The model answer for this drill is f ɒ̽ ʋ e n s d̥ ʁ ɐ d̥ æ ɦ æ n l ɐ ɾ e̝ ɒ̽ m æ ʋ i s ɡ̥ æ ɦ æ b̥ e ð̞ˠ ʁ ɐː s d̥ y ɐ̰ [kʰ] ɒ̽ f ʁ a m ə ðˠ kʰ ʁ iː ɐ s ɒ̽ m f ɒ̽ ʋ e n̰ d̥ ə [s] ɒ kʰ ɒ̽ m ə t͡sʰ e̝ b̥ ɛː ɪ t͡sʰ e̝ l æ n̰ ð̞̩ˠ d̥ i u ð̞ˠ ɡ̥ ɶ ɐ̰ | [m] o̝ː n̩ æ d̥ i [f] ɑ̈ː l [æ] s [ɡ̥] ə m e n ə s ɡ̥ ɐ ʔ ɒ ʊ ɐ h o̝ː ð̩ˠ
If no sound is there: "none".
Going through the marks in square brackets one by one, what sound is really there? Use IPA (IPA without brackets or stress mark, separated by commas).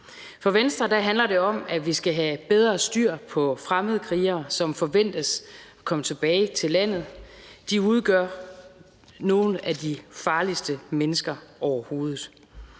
pʰ, s, n, f, i, d̥